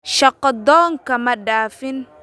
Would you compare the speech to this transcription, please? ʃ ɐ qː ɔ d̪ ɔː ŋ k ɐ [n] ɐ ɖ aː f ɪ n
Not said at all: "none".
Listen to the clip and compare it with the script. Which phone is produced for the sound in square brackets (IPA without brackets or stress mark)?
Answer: m